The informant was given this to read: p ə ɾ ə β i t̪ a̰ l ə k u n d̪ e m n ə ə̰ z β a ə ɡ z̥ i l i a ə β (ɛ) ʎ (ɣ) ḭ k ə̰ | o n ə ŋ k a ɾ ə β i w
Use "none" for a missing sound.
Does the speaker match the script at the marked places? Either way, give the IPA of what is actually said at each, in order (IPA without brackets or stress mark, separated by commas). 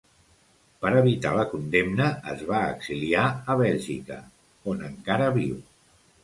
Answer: ɛ, ʒ